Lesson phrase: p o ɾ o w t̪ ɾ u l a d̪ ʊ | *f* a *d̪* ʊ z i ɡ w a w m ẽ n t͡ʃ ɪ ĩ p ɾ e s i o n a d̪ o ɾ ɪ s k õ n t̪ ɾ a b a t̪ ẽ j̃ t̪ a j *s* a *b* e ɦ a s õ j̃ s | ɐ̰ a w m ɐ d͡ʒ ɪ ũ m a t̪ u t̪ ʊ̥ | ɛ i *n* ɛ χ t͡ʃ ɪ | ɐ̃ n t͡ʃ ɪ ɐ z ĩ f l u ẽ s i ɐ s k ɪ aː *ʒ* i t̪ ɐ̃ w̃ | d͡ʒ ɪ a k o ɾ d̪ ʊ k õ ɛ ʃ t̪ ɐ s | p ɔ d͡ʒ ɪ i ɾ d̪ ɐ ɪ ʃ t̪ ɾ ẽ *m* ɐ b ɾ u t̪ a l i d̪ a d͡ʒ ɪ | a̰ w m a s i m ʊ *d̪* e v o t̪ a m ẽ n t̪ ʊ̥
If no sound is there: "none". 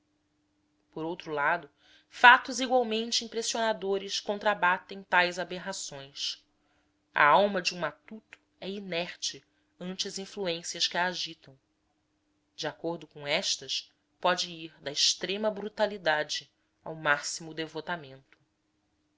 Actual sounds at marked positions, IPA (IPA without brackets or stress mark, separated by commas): f, t̪, z, b, n, ʒ, m, d̪